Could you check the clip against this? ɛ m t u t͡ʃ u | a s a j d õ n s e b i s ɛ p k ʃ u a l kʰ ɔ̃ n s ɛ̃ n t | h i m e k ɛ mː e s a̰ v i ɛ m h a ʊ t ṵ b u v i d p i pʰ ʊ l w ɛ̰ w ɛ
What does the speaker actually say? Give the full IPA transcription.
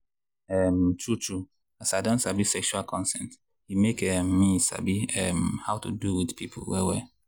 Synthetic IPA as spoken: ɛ m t u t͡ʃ u | a s a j d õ n s a b i s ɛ k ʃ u a l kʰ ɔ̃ n s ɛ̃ n t | h i m e k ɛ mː i s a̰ b i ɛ m h a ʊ t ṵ d u w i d p i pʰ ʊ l w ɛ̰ w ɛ

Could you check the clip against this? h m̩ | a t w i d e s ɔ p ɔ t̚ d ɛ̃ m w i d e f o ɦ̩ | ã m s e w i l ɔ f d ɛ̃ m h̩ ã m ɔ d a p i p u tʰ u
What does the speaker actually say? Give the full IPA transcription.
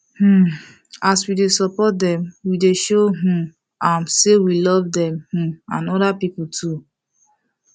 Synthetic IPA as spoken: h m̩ | a s w i d e s ɔ p ɔ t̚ d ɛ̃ m w i d e ʃ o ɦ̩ | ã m s e w i l ɔ v d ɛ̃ m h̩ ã n ɔ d a p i p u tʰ u

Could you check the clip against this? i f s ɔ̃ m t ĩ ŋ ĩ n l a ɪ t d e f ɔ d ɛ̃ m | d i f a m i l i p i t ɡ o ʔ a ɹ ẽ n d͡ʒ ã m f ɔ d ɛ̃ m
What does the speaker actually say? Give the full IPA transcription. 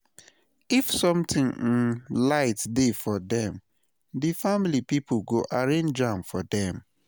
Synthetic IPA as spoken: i f s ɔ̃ m t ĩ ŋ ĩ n l a ɪ t d e f ɔ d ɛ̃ m | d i f a m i l i p i p ɡ o ʔ a ɹ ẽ n d͡ʒ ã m f ɔ d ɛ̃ m

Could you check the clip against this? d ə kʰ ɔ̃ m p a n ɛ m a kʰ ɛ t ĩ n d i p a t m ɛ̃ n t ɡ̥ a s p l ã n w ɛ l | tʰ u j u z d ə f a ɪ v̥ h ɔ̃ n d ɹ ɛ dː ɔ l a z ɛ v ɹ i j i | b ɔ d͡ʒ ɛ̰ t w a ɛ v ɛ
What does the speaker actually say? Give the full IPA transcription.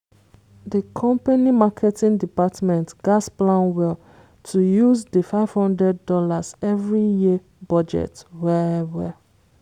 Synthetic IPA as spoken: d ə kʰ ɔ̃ m p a n i m a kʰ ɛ t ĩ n d i p a t m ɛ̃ n t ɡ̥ a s p l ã n w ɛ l | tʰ u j u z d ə f a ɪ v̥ h ɔ̃ n d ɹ ɛ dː ɔ l a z ɛ v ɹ i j i | b ɔ d͡ʒ ɛ̰ t w ɛ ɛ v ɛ

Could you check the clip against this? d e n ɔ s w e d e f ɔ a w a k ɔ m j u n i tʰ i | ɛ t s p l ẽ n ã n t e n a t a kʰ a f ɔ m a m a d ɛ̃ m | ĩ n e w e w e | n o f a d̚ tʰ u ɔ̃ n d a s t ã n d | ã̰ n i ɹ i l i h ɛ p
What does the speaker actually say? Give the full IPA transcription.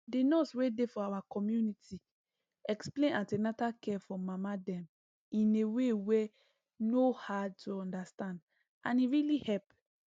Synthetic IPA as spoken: d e n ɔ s w e d e f ɔ a w a k ɔ m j u n i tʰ i | ɛ k s p l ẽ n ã n t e n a t a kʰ ɛ f ɔ m a m a d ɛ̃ m | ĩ n e w e w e | n o h a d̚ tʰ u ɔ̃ n d a s t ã n d | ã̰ n i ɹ i l i h ɛ p

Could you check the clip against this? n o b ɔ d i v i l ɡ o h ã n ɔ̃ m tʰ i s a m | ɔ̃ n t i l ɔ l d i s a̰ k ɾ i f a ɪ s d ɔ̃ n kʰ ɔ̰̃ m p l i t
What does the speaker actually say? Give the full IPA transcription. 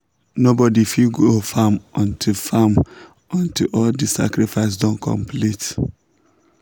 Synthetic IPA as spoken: n o b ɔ d i f i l ɡ o f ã m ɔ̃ n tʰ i f a m | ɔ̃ n t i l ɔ l d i s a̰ k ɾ i f a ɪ s d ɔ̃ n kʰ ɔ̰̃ m p l i t

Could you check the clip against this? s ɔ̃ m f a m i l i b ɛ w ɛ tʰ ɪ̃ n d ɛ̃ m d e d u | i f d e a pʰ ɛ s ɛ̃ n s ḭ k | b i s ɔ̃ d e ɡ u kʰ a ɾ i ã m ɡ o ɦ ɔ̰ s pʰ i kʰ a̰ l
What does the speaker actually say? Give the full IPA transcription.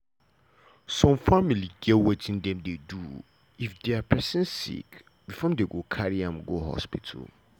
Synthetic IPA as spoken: s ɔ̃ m f a m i l i ɡ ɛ w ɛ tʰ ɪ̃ n d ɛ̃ m d e d u | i f d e a pʰ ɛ s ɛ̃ n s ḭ k | b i f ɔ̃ d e ɡ o kʰ a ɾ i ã m ɡ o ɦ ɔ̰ s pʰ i tʰ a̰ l

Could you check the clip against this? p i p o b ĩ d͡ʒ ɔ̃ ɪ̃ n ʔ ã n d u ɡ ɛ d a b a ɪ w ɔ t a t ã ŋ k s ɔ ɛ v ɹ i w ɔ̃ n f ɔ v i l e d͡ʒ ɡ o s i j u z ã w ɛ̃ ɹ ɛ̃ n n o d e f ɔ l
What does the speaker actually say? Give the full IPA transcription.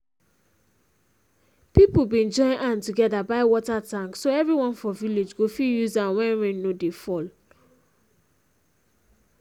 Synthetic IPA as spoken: p i p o b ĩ d͡ʒ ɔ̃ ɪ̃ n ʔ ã n t u ɡ ɛ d a b a ɪ w ɔ t a t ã ŋ k s o ɛ v ɹ i w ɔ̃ n f ɔ v i l e d͡ʒ ɡ o f i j u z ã w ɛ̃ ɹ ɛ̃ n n o d e f ɔ l

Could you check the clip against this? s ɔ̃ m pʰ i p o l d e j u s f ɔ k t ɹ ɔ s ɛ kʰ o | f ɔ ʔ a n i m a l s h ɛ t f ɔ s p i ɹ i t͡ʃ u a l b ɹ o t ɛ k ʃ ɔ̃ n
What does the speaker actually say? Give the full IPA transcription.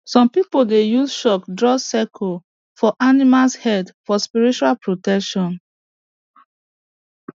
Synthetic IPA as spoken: s ɔ̃ m p i p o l d e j u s ʃ ɔ k d ɹ ɔ s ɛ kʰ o | f ɔ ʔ a n i m a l s h ɛ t f ɔ s p i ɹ i t͡ʃ u a l p ɹ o t ɛ k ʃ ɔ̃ n

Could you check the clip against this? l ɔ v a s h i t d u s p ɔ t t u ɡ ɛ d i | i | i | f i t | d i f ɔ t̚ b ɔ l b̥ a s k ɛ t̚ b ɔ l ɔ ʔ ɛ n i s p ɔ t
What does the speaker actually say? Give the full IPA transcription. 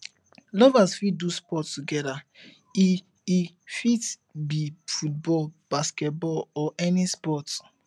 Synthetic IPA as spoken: l ɔ v a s f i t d u s p ɔ t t u ɡ ɛ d a | i | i | f i t | b i f u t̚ b ɔ l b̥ a s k ɛ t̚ b ɔ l ɔ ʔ ɛ n i s p ɔ t

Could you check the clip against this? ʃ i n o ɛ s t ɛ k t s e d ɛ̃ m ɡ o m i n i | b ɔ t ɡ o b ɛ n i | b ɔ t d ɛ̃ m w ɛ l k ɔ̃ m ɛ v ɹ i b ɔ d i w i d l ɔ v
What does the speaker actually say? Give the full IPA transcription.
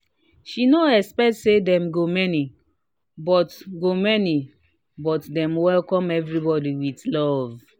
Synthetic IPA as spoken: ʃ i n o ɛ s p ɛ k t s e d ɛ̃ m ɡ o m ɛ n i | b ɔ t ɡ o m ɛ n i | b ɔ t d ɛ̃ m w ɛ l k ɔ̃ m ɛ v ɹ i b ɔ d i w i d l ɔ v

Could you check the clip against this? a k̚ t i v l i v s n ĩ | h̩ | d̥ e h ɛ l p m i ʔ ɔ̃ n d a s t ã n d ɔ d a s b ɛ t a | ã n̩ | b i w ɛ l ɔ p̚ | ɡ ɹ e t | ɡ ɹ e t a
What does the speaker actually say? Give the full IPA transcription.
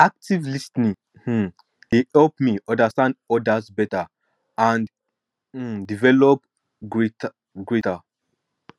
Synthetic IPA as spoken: a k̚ t i v l i s n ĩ | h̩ | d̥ e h ɛ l p m i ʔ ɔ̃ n d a s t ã n d ɔ d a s b ɛ t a | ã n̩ | d i v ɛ l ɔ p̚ | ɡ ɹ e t | ɡ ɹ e t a

